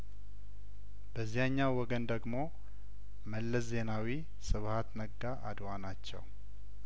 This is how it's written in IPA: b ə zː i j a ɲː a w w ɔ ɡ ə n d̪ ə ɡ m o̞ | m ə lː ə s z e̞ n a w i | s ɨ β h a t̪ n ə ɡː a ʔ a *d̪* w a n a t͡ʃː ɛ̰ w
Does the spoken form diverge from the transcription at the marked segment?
no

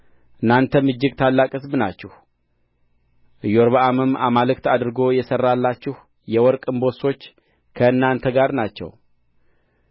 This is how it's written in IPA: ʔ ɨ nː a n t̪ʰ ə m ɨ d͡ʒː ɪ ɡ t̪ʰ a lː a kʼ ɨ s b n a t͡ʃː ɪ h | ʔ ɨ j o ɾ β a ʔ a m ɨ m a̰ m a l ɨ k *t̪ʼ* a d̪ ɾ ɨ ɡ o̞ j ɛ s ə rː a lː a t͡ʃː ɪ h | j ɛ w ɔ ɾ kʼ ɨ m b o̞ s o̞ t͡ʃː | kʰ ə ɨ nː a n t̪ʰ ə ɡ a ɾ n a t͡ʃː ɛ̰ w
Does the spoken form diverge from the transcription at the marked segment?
yes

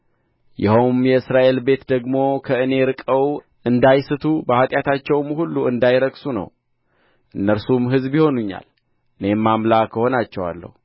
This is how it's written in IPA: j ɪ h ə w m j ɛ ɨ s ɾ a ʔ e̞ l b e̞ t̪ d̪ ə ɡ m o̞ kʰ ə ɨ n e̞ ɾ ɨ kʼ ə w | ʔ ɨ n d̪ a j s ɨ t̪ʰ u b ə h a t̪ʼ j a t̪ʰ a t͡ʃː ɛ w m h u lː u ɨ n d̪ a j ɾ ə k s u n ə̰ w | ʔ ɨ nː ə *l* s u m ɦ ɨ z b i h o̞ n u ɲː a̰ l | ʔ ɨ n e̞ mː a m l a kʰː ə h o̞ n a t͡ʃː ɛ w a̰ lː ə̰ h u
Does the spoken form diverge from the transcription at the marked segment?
yes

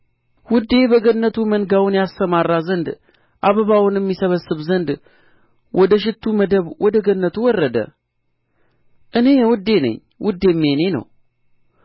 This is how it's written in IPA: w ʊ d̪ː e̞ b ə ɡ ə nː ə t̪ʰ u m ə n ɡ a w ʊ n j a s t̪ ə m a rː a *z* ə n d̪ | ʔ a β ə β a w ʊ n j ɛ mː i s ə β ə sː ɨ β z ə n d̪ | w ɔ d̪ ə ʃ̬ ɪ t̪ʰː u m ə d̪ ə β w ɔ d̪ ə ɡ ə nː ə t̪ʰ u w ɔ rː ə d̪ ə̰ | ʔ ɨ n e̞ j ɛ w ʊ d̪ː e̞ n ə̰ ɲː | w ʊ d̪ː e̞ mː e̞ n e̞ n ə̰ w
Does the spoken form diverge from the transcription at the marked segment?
no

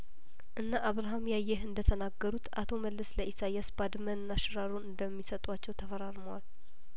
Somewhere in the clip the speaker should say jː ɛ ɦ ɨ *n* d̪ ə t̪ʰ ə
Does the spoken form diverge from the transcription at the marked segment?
no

